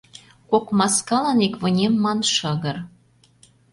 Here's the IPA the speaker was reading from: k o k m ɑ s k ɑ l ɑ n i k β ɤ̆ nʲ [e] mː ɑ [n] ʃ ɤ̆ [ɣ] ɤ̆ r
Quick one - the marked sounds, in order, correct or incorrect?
correct, correct, correct

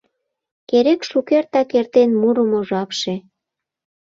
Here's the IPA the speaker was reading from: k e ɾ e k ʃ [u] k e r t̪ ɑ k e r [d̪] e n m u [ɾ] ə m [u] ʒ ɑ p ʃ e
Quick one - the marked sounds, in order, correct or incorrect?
correct, incorrect, correct, incorrect

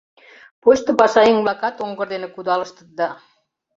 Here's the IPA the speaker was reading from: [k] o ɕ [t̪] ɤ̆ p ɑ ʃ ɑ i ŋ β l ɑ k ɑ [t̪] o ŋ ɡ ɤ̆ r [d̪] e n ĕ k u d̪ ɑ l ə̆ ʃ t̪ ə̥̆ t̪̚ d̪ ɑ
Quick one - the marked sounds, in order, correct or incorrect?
incorrect, correct, correct, correct

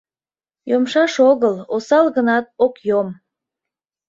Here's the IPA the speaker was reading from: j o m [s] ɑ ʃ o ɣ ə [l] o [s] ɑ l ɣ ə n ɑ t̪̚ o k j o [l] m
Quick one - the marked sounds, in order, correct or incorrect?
incorrect, correct, correct, incorrect

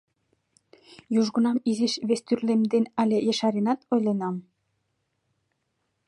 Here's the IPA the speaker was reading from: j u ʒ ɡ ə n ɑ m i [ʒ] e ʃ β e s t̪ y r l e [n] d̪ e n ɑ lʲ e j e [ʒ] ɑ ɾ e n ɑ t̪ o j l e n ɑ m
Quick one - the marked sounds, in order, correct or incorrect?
incorrect, incorrect, incorrect

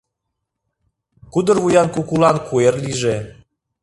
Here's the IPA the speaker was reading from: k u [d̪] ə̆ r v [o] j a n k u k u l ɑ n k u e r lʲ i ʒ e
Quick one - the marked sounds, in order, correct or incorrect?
correct, incorrect

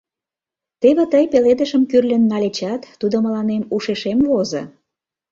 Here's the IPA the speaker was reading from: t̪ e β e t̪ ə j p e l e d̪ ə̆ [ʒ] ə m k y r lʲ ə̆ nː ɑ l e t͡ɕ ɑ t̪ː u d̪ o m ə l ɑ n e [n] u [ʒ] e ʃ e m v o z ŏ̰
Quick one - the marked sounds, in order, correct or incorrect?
incorrect, incorrect, incorrect

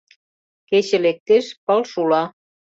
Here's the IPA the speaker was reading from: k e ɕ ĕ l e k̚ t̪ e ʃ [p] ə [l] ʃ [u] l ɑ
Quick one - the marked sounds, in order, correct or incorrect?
correct, correct, correct

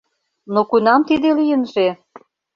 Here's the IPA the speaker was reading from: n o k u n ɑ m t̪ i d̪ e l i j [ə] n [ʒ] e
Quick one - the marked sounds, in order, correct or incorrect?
correct, correct

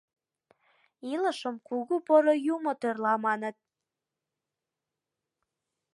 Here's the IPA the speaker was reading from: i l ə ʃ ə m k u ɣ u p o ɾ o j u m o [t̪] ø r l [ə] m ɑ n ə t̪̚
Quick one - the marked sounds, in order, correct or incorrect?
correct, incorrect

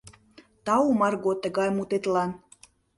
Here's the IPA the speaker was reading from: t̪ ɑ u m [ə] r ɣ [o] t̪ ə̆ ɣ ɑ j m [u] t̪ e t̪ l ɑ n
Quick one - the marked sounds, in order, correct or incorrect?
incorrect, correct, correct

